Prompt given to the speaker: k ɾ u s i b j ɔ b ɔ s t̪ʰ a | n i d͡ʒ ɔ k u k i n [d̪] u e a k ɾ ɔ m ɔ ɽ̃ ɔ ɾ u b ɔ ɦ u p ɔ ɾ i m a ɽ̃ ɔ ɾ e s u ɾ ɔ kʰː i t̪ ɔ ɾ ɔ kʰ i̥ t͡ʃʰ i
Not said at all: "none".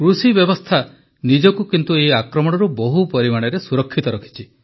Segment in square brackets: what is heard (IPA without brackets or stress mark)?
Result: t̪